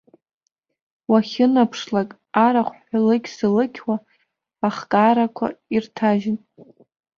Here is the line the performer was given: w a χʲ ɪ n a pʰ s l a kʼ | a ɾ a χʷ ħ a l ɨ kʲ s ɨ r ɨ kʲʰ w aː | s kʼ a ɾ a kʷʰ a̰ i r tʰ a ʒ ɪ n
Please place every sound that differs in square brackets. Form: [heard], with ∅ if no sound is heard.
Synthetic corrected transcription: w a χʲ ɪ n a pʰ [ʂ] l a kʼ | a ɾ a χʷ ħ a l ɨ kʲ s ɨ [l] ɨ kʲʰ w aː | [χ] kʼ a ɾ a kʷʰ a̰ i r tʰ a ʒ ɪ n